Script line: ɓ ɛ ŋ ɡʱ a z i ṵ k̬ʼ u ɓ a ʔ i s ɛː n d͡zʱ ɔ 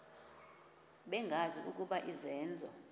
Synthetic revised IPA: ɓ ɛ ŋ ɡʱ a z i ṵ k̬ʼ u ɓ a ʔ i z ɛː n d͡zʱ ɔ